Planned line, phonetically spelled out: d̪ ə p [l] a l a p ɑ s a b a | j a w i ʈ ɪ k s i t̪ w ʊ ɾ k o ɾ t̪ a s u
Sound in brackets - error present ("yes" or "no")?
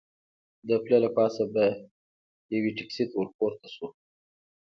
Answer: no